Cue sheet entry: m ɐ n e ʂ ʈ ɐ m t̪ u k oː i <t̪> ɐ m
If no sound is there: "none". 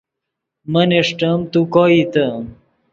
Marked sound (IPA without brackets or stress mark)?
t̪